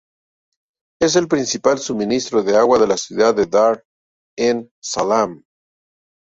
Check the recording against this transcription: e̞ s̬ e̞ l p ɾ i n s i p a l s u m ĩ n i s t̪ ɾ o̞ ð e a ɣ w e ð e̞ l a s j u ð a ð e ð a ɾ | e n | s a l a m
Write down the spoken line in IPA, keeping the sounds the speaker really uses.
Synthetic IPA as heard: e̞ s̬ e̞ l p ɾ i n s i p a l s u m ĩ n i s t̪ ɾ o̞ ð e a ɣ w a ð e̞ l a s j u ð a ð e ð a ɾ | e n | s a l a m